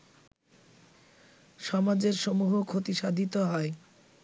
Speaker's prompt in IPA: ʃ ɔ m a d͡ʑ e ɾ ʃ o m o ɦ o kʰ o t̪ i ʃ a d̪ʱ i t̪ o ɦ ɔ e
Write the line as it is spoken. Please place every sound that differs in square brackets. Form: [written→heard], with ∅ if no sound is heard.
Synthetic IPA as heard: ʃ ɔ m a d͡ʑ e ɾ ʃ o m [o→u] ɦ o kʰ o t̪ i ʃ a d̪ʱ i t̪ o ɦ ɔ e